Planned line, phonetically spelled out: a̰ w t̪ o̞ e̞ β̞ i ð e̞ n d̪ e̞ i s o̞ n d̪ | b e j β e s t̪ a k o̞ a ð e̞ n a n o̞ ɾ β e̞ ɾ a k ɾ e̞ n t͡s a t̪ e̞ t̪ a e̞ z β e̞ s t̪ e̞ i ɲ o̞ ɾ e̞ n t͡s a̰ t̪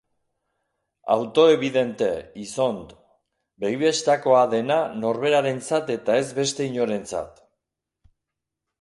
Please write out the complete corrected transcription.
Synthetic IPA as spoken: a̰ w t̪ o̞ e̞ β̞ i ð e̞ n t̪ e̞ i s o̞ n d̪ | b e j β e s t̪ a k o̞ a ð e̞ n a n o̞ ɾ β e̞ ɾ a ɾ e̞ n t͡s a t̪ e̞ t̪ a e̞ z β e̞ s t̪ e̞ i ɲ o̞ ɾ e̞ n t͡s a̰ t̪

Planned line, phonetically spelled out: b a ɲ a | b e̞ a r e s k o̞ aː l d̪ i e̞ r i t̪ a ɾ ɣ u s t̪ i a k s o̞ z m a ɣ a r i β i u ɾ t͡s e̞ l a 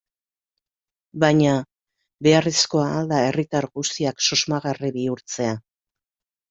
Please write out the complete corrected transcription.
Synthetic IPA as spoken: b a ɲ a | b e̞ a r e s k o̞ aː l d̪ a e̞ r i t̪ a ɾ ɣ u s t̪ i a k s o̞ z m a ɣ a r i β i u ɾ t͡s e̞ a

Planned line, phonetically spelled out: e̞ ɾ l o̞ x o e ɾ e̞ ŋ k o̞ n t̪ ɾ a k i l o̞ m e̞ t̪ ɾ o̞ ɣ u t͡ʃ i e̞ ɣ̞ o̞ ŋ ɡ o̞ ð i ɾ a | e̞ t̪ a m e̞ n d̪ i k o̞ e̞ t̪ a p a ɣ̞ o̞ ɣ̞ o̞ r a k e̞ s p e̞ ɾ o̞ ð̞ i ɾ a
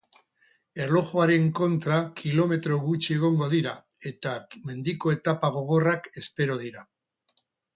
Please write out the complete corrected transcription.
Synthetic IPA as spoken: e̞ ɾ l o̞ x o a ɾ e̞ ŋ k o̞ n t̪ ɾ a k i l o̞ m e̞ t̪ ɾ o̞ ɣ u t͡ʃ i e̞ ɣ̞ o̞ ŋ ɡ o̞ ð i ɾ a | e̞ t̪ a m e̞ n d̪ i k o̞ e̞ t̪ a p a ɣ̞ o̞ ɣ̞ o̞ r a k e̞ s p e̞ ɾ o̞ ð̞ i ɾ a

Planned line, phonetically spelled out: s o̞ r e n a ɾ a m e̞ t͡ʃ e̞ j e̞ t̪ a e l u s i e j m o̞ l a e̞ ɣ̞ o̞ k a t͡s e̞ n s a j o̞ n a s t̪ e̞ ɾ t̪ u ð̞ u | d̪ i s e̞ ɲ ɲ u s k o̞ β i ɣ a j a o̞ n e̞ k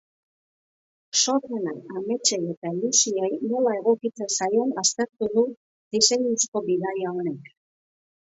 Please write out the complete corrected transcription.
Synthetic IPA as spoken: s o̞ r e n a a m e̞ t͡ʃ e̞ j e̞ t̪ a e l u s i e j n o̞ l a e̞ ɣ̞ o̞ k i t͡s e̞ n s a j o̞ n a s t̪ e̞ ɾ t̪ u ð̞ u | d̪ i s e̞ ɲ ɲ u s k o̞ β i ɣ a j a o̞ n e̞ k

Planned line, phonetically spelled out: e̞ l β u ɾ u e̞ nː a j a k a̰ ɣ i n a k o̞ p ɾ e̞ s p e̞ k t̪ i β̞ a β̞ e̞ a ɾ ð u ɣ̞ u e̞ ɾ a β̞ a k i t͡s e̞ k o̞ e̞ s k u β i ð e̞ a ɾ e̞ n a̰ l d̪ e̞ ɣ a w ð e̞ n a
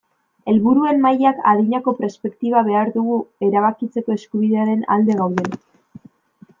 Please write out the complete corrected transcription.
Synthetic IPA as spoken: e̞ l β u ɾ u e̞ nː a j a k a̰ ð i ɲ a k o̞ p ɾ e̞ s p e̞ k t̪ i β̞ a β̞ e̞ a ɾ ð u ɣ̞ u e̞ ɾ a β̞ a k i t͡s e̞ k o̞ e̞ s k u β i ð e̞ a ɾ e̞ n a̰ l d̪ e̞ ɣ a w ð e̞ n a

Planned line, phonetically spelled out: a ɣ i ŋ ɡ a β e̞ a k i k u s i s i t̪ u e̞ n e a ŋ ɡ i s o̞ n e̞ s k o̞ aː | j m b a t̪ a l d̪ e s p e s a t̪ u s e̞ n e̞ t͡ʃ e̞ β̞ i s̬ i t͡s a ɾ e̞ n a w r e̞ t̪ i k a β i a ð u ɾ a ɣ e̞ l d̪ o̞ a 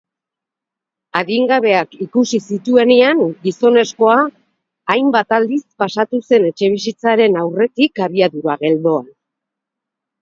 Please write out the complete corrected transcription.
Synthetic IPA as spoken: a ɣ i ŋ ɡ a β e̞ a k i k u s i s i t̪ u e̞ n e a ŋ ɡ i s o̞ n e̞ s k o̞ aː | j m b a t̪ a l d̪ i s p a s a t̪ u s e̞ n e̞ t͡ʃ e̞ β̞ i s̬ i t͡s a ɾ e̞ n a w r e̞ t̪ i k a β i a ð u ɾ a ɣ e̞ l d̪ o̞ a

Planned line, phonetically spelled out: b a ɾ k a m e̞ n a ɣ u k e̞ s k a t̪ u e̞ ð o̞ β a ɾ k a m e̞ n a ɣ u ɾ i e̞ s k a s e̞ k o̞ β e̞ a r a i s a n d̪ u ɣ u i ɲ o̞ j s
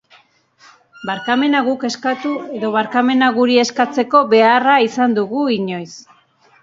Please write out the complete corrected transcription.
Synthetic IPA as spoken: b a ɾ k a m e̞ n a ɣ u k e̞ s k a t̪ u e̞ ð o̞ β a ɾ k a m e̞ n a ɣ u ɾ i e̞ s k a t͡s e̞ k o̞ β e̞ a r a i s a n d̪ u ɣ u i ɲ o̞ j s

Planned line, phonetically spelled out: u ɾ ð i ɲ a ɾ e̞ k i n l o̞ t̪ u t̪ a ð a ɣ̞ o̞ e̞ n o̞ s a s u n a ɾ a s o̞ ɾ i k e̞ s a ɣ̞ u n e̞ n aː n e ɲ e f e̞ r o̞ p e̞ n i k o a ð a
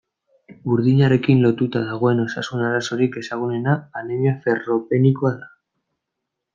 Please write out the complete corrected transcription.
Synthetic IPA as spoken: u ɾ ð i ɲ a ɾ e̞ k i n l o̞ t̪ u t̪ a ð a ɣ̞ o̞ e̞ n o̞ s a s u n a ɾ a s o̞ ɾ i k e̞ s a ɣ̞ u n e̞ n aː n e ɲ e f e̞ r o̞ p e̞ n i k o a ð a

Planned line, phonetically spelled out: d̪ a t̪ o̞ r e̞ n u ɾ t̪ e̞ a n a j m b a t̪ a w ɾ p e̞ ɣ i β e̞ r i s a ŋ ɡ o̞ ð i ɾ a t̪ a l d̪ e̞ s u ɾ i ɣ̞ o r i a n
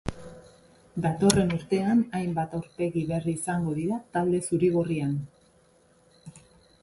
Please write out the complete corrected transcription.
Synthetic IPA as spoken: d̪ a t̪ o̞ r e̞ n u ɾ t̪ e̞ a n a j m b a t̪ a w ɾ p e̞ ɣ i β e̞ r iː s a ŋ ɡ o̞ ð i ɾ a t̪ a l d̪ e̞ s u ɾ i ɣ̞ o r i a n

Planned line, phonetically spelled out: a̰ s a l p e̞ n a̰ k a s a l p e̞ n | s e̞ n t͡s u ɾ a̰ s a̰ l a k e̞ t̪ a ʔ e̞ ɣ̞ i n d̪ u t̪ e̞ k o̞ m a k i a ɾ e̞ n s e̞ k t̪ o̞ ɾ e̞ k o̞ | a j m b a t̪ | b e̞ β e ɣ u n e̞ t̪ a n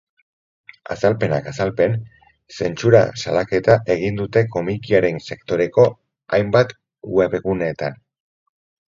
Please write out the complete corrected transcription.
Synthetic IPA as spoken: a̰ s a l p e̞ n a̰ k a s a l p e̞ n | s e̞ n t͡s u ɾ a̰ s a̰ l a k e̞ t̪ a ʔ e̞ ɣ̞ i n d̪ u t̪ e̞ k o̞ m i k i a ɾ e̞ n s e̞ k t̪ o̞ ɾ e̞ k o̞ | a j m b a t̪ | w e̞ β e ɣ u n e̞ t̪ a n

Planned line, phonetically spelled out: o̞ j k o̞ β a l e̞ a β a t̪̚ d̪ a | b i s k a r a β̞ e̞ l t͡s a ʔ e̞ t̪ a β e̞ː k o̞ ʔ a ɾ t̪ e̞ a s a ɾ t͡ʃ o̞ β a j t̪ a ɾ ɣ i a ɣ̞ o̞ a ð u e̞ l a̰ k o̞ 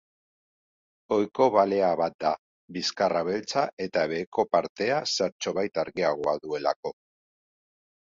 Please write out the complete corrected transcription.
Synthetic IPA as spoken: o̞ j k o̞ β a l e̞ a β a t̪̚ d̪ a | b i s k a r a β̞ e̞ l t͡s a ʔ e̞ t̪ a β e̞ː k o̞ p a ɾ t̪ e̞ a s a ɾ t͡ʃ o̞ β a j t̪ a ɾ ɣ i a ɣ̞ o̞ a ð u e̞ l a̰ k o̞

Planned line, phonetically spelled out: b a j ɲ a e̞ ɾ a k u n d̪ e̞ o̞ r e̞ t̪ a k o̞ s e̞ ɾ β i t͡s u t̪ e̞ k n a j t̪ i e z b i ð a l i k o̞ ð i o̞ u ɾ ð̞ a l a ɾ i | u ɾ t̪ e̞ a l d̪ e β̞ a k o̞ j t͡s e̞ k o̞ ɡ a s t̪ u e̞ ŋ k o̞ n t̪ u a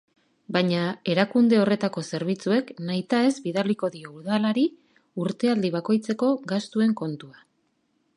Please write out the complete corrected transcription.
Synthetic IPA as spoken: b a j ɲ a e̞ ɾ a k u n d̪ e̞ o̞ r e̞ t̪ a k o̞ s e̞ ɾ β i t͡s u e̞ k n a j t̪ a e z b i ð a l i k o̞ ð i o̞ u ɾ ð̞ a l a ɾ i | u ɾ t̪ e̞ a l d̪ i β̞ a k o̞ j t͡s e̞ k o̞ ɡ a s t̪ u e̞ ŋ k o̞ n t̪ u a

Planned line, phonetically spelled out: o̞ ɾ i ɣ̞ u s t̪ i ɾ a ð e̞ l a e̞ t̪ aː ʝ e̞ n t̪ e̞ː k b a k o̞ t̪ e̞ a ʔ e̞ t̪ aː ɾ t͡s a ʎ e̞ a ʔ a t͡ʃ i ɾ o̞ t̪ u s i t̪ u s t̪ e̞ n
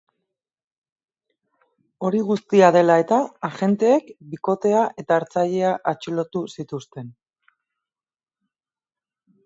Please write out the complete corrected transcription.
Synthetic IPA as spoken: o̞ ɾ i ɣ̞ u s t̪ i a ð e̞ l a e̞ t̪ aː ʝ e̞ n t̪ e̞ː k b i k o̞ t̪ e̞ a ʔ e̞ t̪ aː ɾ t͡s a ʎ e̞ a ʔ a t͡ʃ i l o̞ t̪ u s i t̪ u s t̪ e̞ n

